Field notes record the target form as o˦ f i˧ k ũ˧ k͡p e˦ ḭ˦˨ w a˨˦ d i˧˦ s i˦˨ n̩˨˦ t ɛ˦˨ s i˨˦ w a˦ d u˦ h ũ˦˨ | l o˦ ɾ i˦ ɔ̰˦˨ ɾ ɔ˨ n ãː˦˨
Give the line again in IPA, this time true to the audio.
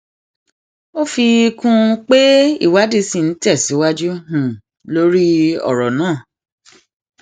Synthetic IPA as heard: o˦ f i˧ k ũ˧ k͡p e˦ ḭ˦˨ w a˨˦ d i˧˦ s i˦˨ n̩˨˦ t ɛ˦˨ s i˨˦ w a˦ d͡ʒ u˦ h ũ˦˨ | l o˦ ɾ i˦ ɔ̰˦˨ ɾ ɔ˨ n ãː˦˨

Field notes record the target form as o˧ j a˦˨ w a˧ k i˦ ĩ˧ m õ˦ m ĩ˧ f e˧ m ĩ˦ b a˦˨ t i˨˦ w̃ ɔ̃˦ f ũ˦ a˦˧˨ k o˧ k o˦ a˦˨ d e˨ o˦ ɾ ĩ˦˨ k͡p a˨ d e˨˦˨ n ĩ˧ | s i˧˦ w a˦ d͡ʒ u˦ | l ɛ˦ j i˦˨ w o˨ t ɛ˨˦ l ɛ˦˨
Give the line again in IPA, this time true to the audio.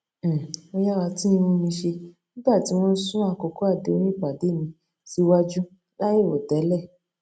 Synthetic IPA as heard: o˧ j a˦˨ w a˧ t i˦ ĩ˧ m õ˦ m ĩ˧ ʃ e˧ n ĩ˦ b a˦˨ t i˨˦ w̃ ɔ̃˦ s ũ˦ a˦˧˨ k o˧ k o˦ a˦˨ d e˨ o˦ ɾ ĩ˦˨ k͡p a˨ d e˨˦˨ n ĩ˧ | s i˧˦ w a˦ d͡ʒ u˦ | l a˦ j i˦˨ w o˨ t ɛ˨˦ l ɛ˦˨

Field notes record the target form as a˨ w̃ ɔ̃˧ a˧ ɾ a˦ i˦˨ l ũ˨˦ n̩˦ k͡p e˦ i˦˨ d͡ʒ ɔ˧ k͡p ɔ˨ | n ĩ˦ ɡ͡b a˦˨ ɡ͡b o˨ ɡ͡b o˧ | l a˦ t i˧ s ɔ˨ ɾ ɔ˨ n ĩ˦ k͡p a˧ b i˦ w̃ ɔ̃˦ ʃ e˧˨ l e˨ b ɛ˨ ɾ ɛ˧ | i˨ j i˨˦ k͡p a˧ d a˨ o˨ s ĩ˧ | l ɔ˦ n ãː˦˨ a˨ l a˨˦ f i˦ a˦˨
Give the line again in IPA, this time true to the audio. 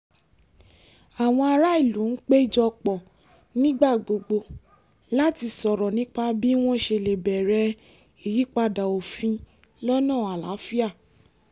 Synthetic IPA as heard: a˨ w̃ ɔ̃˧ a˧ ɾ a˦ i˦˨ l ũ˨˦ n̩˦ k͡p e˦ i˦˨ d͡ʒ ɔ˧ k͡p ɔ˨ | n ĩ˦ ɡ͡b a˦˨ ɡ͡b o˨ ɡ͡b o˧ | l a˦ t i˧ s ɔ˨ ɾ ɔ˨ n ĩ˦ k͡p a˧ b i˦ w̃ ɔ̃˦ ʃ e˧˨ l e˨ b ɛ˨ ɾ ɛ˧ | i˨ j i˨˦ k͡p a˧ d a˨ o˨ f ĩ˧ | l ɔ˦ n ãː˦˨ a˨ l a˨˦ f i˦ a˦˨

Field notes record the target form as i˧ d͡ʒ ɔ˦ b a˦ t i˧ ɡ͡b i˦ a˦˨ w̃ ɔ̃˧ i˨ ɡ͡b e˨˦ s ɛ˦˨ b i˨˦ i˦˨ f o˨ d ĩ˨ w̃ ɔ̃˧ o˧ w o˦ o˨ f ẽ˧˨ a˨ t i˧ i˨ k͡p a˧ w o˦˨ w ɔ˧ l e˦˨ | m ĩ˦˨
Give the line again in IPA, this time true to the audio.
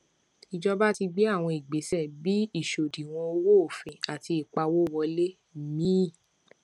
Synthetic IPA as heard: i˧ d͡ʒ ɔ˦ b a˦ t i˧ ɡ͡b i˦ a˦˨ w̃ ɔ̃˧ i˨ ɡ͡b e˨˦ s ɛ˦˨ b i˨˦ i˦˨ ʃ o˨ d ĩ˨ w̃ ɔ̃˧ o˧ w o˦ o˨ f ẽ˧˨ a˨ t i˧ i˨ k͡p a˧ w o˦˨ w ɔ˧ l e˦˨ | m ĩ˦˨

